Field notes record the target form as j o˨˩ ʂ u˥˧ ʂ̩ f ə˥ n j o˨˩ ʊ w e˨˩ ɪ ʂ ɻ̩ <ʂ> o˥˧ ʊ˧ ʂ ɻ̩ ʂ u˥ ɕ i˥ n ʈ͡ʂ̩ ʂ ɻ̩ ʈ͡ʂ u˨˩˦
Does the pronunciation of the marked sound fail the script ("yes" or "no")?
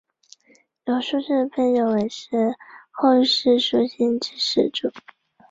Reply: yes